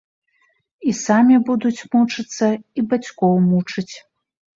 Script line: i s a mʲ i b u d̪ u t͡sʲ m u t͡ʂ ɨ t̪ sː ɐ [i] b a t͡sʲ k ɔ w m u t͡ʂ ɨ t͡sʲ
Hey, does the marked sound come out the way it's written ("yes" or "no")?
yes